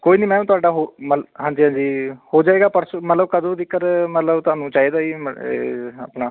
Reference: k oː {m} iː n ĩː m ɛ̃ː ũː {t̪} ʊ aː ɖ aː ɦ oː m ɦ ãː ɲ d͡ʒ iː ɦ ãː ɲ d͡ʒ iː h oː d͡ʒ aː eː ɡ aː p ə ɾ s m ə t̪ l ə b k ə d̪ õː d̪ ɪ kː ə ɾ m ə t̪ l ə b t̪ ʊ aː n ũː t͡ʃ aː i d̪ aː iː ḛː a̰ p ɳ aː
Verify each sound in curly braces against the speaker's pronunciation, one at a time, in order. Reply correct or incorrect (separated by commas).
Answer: incorrect, correct